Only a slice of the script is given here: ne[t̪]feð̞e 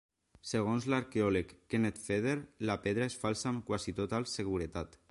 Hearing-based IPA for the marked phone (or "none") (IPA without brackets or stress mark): t̪